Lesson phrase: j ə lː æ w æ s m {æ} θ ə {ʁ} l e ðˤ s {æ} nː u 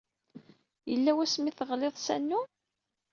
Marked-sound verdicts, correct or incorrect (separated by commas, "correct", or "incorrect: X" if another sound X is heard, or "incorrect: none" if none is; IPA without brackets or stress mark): incorrect: i, correct, correct